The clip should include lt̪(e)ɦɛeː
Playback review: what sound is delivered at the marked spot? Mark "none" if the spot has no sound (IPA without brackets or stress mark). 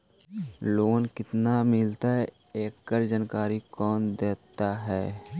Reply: a